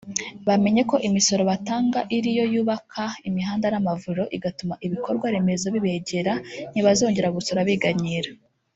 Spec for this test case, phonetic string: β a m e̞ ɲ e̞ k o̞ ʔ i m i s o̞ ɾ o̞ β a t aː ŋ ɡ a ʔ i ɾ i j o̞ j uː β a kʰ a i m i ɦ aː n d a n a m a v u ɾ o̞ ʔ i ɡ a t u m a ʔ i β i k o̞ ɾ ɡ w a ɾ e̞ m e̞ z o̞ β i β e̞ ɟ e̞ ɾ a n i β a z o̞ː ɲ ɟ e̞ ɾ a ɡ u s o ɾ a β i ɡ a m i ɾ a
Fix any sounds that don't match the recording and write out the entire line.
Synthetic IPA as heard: β a m e̞ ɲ e̞ k o̞ ʔ i m i s o̞ ɾ o̞ β a t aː ŋ ɡ a ʔ i ɾ i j o̞ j uː β a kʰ a i m i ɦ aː n d a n a m a v u ɾ o̞ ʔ i ɡ a t u m a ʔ i β i k o̞ ɾ ɡ w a ɾ e̞ m e̞ z o̞ β i β e̞ ɟ e̞ ɾ a n i β a z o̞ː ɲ ɟ e̞ ɾ a ɡ u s o ɾ a β i ɡ a ɲ i ɾ a